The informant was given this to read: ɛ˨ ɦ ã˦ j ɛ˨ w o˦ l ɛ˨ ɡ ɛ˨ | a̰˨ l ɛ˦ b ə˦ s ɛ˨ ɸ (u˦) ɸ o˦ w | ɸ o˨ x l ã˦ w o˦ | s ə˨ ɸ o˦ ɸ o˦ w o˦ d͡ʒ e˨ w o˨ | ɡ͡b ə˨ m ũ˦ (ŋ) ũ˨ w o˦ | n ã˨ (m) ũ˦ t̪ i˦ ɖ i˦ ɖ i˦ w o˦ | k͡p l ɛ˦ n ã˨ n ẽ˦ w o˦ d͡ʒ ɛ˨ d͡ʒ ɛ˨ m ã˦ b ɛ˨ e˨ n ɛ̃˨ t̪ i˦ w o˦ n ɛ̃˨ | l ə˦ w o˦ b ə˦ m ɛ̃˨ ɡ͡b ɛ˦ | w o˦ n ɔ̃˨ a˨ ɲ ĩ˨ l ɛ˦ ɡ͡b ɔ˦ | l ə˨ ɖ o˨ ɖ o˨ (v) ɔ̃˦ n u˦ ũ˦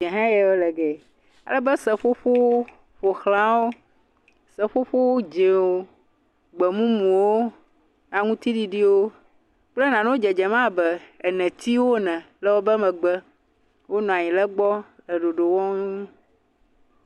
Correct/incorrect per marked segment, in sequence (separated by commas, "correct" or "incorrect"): incorrect, incorrect, incorrect, incorrect